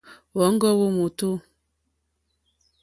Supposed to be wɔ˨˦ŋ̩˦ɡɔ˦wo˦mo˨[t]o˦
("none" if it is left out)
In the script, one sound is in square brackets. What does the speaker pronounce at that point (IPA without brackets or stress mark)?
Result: t